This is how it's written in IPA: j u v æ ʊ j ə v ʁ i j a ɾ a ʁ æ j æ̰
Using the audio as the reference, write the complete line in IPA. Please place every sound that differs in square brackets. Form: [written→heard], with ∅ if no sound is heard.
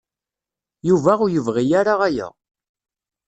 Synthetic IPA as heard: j u v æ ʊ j ə v ʁ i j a ɾ a ʁ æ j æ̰